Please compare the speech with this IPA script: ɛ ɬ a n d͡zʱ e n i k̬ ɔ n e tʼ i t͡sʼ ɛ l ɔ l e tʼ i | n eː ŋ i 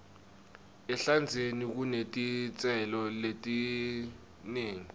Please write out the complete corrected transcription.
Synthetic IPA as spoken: ɛ ɬ a n d͡zʱ e n i k̬ u n e tʼ i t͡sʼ ɛ l ɔ l e tʼ i | n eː ŋ i